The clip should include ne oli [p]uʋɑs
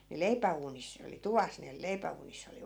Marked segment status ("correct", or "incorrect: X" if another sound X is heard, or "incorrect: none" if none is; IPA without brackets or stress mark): incorrect: t